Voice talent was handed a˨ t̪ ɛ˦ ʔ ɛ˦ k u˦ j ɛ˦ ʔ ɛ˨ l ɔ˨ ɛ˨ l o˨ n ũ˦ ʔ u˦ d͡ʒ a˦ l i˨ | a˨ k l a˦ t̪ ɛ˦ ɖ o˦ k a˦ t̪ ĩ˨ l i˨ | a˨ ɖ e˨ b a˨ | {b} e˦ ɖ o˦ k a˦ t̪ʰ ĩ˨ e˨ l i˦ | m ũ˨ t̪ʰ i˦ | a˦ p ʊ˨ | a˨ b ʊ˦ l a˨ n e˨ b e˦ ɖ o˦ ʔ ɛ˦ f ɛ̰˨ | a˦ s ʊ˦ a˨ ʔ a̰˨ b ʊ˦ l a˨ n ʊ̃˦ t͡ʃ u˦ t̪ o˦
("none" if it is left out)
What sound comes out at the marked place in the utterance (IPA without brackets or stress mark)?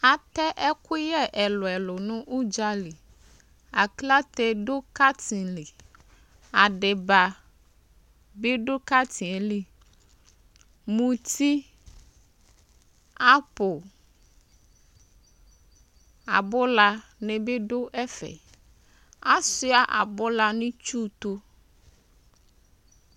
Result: b